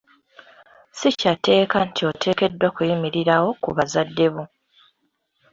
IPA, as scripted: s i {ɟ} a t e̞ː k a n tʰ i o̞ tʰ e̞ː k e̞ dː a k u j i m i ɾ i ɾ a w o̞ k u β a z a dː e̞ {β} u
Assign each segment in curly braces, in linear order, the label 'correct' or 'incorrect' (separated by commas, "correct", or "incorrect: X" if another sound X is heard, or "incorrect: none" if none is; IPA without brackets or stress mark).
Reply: incorrect: c, correct